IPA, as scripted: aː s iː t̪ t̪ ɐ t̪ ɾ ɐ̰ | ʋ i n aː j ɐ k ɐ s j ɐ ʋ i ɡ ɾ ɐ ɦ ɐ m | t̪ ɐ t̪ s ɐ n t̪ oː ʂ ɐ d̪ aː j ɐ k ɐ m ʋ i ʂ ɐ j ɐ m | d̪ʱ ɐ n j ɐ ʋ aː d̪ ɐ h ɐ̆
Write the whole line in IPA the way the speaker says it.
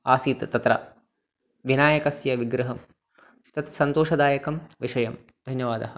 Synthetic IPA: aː s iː t̪ t̪ ɐ t̪ ɾ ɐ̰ | ʋ i n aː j ɐ k ɐ s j ɐ ʋ i ɡ ɾ ɐ ɦ ɐ m | t̪ ɐ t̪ s ɐ n t̪ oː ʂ ɐ d̪ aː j ɐ k ɐ m ʋ i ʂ ɐ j ɐ m | d̪ʱ ɐ n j ɐ ʋ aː d̪ ɐ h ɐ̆